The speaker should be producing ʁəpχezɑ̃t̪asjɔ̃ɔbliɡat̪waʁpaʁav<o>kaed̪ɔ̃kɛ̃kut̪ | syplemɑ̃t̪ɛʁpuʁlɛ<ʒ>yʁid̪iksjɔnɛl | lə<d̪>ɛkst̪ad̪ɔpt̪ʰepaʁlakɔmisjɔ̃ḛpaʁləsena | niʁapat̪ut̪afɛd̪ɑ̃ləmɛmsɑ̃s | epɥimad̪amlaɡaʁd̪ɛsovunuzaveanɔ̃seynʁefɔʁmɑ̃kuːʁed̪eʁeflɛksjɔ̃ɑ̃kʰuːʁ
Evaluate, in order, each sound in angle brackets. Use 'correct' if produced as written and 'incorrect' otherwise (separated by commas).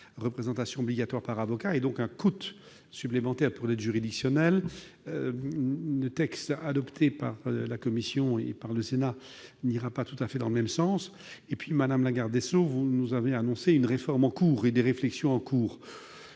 incorrect, correct, incorrect